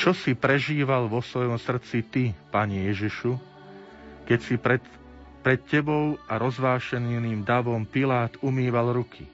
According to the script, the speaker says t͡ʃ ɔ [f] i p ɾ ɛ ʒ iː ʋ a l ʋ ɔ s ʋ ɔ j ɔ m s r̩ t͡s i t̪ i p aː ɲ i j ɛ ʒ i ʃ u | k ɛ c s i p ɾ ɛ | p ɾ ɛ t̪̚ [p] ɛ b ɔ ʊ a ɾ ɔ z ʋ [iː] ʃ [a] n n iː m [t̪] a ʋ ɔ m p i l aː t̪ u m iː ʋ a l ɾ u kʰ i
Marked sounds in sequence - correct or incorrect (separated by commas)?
incorrect, incorrect, incorrect, incorrect, incorrect